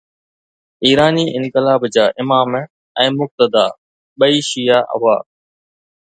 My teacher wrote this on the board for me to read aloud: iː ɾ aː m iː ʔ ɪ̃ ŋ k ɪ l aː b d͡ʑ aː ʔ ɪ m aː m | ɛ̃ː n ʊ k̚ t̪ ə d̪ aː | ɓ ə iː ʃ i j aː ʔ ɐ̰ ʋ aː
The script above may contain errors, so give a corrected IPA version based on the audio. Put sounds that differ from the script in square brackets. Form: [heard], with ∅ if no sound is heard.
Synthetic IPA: iː ɾ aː [n] iː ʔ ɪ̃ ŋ k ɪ l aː b d͡ʑ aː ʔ ɪ m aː m | ɛ̃ː [m] ʊ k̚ t̪ ə d̪ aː | ɓ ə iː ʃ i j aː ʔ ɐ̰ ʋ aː